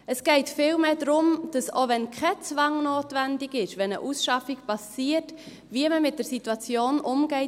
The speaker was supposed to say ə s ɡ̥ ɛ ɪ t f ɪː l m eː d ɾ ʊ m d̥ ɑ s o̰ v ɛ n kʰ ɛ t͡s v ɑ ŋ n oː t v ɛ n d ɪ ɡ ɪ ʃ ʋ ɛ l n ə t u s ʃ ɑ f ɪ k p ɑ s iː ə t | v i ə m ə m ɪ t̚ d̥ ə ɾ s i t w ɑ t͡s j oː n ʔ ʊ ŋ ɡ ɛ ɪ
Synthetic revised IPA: ə s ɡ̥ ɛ ɪ t f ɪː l m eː d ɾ ʊ m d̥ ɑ s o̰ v ɛ n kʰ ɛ t͡s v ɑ ŋ n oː t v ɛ n d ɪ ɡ ɪ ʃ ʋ ɛ n ə ʔ u s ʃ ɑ f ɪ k p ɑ s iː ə t | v i ə m ə m ɪ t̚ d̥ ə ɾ s i t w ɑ t͡s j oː n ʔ ʊ m ɡ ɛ ɪ